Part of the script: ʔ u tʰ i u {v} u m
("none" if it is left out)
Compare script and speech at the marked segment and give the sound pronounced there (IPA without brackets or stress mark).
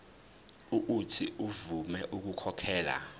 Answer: v